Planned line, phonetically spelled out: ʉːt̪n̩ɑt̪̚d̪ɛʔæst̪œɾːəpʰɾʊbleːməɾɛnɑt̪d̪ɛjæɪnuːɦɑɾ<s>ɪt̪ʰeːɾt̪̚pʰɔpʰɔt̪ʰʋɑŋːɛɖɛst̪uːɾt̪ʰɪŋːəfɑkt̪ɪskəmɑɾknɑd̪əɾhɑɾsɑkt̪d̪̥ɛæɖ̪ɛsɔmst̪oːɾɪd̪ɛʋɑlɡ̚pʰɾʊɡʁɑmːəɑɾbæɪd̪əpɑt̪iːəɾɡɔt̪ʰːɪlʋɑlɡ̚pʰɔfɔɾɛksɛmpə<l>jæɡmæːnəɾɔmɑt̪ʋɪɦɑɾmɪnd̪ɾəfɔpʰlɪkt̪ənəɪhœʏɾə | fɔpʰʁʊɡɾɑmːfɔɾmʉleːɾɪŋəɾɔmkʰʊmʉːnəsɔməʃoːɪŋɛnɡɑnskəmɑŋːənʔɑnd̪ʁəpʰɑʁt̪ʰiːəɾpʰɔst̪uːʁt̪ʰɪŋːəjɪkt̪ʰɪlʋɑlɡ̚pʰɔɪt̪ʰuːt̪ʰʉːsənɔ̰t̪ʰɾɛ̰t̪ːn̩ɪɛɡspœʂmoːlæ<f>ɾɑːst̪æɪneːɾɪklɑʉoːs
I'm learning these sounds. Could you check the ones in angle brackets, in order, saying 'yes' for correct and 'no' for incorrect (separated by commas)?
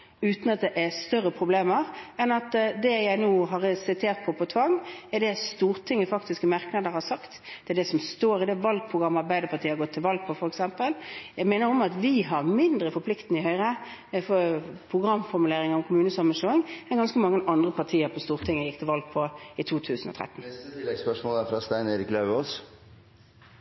yes, yes, yes